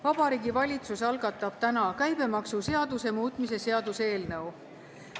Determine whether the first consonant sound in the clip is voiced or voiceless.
voiced